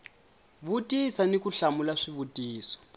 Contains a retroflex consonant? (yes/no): yes